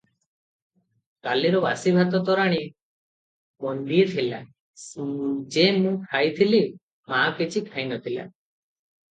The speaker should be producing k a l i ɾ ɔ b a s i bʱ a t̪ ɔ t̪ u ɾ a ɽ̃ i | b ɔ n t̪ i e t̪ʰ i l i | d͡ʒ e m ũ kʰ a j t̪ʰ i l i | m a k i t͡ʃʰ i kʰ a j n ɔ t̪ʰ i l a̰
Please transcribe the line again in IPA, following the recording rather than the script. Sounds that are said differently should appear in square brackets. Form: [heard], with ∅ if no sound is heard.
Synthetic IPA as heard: k a l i ɾ ɔ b a s i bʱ a t̪ ɔ t̪ [ɔ] ɾ a ɽ̃ i | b ɔ n [d̪] i e t̪ʰ i l [a] | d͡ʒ e m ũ kʰ a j t̪ʰ i l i | m a k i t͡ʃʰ i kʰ a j n ɔ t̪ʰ i l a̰